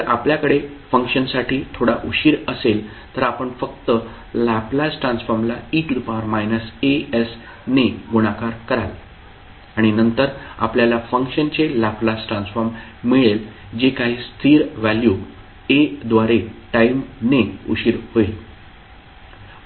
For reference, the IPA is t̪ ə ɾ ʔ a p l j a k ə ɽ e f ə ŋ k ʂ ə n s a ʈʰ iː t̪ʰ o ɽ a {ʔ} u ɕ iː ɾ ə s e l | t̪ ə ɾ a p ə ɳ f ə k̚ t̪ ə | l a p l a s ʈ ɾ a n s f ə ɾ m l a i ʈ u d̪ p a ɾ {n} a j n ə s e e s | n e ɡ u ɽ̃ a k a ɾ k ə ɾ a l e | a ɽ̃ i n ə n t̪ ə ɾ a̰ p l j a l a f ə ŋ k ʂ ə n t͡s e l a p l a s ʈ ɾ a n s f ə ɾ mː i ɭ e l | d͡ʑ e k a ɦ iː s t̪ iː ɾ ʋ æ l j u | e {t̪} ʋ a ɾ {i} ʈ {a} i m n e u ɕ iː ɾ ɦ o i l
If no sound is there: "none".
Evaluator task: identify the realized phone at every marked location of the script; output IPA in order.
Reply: ʔ, m, d̪, e, a

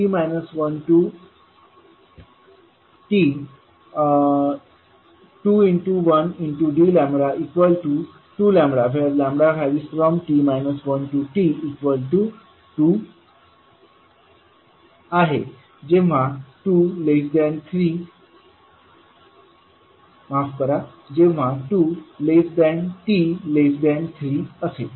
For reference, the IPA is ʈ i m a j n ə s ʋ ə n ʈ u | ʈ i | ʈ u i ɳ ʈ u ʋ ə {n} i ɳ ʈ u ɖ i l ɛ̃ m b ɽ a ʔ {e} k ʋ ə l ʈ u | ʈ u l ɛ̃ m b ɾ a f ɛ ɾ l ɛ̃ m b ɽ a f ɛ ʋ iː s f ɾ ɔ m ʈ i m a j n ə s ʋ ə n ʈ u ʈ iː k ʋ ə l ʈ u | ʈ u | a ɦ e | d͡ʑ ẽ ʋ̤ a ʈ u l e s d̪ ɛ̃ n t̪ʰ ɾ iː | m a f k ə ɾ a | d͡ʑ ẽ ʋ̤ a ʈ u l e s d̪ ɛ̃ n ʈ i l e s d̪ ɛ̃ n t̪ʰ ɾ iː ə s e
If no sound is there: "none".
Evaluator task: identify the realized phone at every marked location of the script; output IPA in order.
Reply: n, i

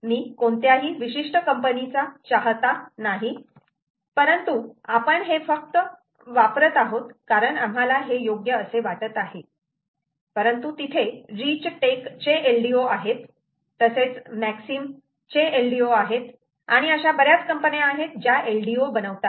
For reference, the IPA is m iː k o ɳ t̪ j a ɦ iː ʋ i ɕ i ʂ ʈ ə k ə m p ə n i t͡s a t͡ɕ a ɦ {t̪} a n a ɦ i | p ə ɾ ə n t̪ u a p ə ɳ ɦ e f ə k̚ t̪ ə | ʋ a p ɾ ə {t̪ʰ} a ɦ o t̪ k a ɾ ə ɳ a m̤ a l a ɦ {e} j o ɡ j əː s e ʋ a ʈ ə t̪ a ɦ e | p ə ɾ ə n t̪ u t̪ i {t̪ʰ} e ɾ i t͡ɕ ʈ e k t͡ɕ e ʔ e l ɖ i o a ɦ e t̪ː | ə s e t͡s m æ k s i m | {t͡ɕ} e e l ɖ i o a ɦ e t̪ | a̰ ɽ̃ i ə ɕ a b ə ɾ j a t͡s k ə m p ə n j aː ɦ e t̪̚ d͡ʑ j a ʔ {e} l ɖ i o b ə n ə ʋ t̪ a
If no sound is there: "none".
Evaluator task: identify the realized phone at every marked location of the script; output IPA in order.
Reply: t̪, t̪, e, t̪ʰ, t͡ɕ, e

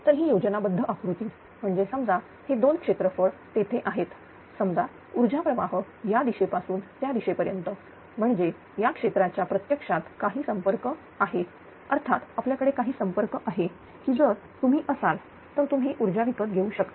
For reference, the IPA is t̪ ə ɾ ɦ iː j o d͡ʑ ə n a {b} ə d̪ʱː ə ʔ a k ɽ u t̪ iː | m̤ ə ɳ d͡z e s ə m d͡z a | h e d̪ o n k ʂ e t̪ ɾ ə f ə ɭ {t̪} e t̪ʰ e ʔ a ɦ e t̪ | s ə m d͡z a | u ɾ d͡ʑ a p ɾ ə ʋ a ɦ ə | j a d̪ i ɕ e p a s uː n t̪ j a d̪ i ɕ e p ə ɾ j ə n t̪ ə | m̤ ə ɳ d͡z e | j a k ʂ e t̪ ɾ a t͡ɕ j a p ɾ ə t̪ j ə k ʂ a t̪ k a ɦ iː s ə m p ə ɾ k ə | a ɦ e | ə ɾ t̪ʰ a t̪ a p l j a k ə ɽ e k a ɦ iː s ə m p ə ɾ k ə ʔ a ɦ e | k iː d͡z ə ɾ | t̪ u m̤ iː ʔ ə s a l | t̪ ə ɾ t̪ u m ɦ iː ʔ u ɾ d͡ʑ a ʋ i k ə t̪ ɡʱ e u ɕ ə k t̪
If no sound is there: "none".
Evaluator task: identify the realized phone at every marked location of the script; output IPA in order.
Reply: b, t̪

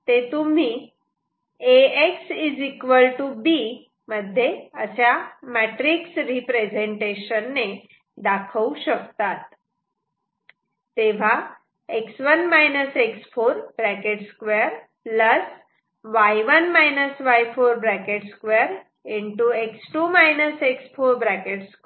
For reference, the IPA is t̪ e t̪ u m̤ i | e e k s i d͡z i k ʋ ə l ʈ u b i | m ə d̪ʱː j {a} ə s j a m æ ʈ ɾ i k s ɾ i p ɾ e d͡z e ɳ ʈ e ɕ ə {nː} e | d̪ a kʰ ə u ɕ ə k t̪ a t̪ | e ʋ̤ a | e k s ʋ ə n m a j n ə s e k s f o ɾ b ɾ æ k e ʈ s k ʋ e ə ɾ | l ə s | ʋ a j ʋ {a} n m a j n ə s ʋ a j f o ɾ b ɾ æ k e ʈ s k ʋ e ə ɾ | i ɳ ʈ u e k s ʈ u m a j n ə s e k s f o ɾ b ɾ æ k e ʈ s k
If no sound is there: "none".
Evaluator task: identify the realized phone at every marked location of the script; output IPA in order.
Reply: e, nː, ə

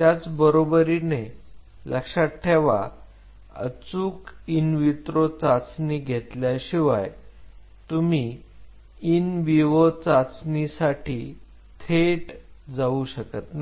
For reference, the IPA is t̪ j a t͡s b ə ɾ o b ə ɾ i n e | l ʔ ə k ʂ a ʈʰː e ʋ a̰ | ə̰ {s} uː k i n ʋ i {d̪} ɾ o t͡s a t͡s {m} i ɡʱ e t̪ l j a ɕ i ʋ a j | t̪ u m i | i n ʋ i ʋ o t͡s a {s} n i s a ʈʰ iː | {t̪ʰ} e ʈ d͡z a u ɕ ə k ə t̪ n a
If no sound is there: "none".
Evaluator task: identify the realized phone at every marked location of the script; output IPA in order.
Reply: t͡s, t̪, n, t͡s, t̪ʰ

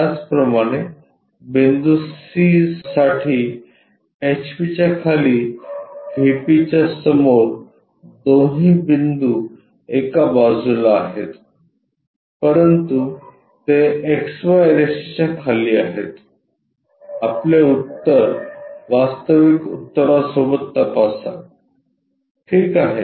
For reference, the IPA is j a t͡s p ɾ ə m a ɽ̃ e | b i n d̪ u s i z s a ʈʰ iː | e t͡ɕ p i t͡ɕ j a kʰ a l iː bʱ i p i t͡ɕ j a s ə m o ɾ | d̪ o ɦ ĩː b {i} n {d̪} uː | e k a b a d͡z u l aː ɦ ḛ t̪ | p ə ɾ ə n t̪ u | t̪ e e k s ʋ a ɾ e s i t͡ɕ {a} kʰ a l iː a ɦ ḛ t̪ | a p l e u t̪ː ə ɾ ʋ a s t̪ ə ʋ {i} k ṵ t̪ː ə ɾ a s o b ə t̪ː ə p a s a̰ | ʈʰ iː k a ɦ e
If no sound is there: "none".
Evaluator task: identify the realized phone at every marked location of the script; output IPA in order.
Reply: i, d̪, a, i

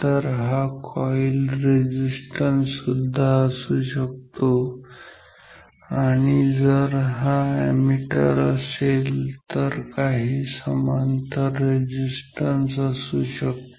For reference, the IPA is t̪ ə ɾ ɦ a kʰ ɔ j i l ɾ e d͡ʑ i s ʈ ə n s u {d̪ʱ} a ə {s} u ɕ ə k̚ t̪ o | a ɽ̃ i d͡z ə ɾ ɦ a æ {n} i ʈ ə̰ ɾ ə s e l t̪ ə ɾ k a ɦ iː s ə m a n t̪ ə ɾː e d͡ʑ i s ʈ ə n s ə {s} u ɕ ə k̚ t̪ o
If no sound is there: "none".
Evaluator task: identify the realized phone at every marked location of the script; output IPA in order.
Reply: d̪ʱː, s, m, s

